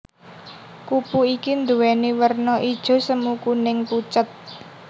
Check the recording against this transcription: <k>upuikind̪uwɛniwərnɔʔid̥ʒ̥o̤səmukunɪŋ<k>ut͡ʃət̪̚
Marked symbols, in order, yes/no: yes, no

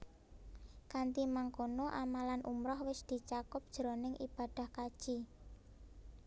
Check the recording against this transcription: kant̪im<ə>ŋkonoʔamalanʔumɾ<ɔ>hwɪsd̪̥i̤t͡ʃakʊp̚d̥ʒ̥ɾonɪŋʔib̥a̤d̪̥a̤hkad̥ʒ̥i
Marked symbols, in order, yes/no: no, yes

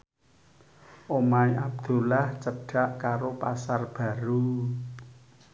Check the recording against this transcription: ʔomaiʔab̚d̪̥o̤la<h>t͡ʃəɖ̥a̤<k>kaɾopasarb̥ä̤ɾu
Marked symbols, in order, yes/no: yes, no

